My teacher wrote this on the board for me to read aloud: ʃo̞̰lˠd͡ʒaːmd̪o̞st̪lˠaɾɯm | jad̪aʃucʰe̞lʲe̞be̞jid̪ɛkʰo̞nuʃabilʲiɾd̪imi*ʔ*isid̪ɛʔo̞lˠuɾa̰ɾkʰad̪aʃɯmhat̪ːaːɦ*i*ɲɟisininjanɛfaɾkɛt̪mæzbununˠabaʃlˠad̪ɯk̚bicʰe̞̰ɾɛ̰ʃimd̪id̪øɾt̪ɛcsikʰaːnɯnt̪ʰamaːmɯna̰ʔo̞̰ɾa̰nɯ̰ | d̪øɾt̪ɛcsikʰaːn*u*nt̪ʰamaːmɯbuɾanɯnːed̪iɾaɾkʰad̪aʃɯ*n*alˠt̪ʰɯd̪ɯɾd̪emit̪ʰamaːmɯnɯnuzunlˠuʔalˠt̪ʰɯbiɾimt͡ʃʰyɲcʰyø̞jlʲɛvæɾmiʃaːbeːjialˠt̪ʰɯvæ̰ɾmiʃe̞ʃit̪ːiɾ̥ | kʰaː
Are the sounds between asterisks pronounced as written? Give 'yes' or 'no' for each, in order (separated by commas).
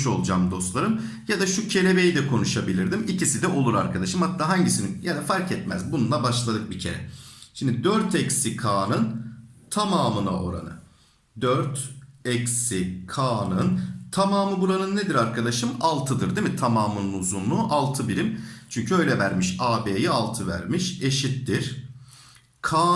no, no, no, no